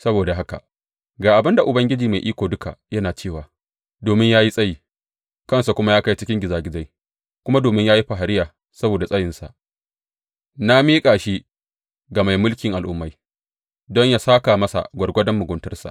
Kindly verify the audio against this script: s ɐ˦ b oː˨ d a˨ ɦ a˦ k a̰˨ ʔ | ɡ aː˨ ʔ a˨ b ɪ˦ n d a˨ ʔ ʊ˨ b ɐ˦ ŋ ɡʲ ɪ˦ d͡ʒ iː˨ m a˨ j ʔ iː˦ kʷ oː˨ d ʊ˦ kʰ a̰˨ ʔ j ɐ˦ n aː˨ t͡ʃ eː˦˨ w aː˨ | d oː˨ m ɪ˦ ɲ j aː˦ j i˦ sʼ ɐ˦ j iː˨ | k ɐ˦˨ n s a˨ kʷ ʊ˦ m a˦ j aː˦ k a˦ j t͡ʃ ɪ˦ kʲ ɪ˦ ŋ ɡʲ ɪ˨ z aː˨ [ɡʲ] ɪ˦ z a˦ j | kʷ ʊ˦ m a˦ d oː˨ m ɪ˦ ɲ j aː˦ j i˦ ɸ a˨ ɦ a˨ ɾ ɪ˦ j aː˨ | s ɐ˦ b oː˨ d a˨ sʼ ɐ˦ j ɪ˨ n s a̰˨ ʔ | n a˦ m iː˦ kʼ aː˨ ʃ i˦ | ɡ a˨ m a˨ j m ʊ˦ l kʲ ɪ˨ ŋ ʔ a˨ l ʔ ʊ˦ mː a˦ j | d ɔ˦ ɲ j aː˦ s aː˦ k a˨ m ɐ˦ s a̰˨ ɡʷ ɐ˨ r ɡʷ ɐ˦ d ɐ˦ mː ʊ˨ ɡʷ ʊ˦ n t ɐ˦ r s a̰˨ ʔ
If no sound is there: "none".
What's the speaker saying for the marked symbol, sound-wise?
ɡʲ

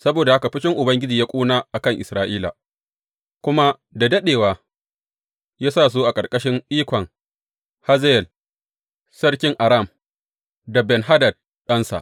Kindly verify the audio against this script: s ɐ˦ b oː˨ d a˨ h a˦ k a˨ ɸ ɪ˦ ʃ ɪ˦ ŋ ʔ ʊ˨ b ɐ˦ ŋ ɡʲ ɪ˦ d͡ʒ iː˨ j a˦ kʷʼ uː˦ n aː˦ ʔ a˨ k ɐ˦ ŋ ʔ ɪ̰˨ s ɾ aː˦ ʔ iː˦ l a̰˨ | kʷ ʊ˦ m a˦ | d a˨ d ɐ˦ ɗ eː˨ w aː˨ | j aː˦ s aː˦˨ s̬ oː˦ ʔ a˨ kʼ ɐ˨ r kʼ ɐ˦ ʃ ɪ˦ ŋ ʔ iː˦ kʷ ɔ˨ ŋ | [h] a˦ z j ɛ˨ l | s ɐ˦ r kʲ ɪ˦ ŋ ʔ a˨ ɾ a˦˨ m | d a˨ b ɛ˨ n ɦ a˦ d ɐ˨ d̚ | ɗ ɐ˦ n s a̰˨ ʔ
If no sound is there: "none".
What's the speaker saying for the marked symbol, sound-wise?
h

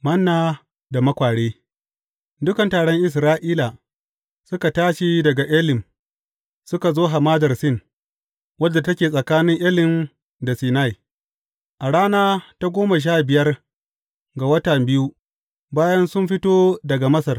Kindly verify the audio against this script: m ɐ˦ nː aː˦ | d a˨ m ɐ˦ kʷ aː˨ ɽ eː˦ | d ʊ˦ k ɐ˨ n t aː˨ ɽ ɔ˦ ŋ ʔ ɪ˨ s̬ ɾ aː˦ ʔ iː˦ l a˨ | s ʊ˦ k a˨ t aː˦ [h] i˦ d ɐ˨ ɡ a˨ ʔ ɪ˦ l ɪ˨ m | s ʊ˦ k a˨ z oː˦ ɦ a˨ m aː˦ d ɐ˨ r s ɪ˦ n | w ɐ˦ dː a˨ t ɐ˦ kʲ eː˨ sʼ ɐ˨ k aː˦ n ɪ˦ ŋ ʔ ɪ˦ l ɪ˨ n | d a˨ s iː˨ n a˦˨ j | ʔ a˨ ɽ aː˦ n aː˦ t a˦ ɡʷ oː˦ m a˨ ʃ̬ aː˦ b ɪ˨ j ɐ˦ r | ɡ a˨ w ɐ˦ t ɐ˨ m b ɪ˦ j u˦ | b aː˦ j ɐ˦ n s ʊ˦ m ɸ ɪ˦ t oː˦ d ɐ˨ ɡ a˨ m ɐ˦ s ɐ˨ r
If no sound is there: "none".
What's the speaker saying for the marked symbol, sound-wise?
ʃ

